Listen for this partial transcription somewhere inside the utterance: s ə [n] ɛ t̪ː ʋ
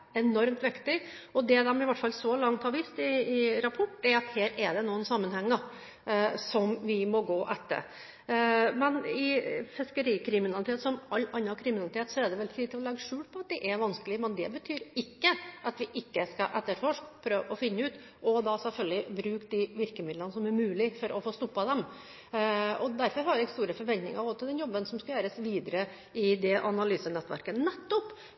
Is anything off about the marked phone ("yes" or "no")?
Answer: no